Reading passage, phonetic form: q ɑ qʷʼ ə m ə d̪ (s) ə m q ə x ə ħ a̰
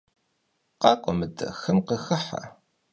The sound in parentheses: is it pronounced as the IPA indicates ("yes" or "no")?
no